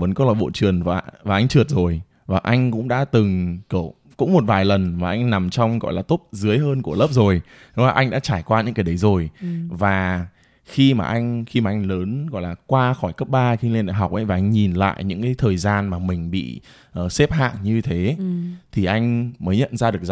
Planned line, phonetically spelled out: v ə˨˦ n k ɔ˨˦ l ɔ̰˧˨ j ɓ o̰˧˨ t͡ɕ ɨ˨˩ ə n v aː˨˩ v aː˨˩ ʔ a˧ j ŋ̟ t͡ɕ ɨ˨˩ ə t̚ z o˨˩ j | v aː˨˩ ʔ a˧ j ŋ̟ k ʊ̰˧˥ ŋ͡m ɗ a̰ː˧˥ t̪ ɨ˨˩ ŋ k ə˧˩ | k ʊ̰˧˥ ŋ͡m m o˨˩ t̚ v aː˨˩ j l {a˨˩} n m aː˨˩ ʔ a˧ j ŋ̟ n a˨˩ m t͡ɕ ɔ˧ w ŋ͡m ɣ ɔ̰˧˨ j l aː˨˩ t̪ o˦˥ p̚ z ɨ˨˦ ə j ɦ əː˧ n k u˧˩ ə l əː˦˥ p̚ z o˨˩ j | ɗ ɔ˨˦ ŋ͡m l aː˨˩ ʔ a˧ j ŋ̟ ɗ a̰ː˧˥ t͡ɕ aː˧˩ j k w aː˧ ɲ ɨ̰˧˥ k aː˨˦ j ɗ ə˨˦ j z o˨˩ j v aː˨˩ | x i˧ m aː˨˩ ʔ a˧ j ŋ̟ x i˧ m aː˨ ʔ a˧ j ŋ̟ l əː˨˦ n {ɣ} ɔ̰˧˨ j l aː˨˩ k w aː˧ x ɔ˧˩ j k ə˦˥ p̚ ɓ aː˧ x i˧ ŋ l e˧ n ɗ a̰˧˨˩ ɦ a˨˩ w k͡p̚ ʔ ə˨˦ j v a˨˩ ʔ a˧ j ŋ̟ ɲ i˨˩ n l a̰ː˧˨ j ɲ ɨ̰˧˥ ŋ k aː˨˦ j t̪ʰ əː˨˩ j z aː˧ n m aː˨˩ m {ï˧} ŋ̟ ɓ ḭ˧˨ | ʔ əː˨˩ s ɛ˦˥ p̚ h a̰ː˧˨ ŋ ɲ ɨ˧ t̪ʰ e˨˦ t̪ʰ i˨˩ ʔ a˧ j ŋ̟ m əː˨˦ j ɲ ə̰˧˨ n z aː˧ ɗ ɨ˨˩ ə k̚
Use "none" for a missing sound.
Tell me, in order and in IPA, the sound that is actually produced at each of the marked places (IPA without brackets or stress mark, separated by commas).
ə˨˩, ɣ, ï˨˩